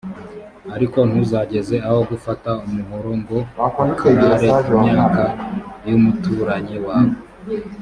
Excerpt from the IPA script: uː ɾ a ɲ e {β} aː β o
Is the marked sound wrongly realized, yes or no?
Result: yes